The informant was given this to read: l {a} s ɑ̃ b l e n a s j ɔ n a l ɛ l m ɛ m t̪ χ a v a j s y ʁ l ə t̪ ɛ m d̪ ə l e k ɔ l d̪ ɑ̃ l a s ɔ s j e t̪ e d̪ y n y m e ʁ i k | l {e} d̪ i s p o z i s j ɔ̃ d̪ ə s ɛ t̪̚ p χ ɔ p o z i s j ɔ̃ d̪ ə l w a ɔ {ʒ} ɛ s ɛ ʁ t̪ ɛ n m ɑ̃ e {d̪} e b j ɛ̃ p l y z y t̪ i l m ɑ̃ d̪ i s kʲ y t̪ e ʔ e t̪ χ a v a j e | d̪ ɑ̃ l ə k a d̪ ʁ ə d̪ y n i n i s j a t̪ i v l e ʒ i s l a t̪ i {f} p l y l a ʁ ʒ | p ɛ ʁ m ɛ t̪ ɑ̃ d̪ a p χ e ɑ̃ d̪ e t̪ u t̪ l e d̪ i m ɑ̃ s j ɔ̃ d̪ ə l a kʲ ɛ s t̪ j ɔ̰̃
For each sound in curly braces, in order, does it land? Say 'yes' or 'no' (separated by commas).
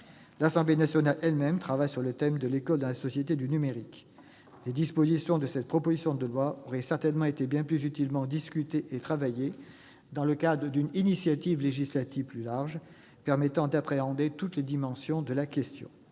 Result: yes, yes, no, no, no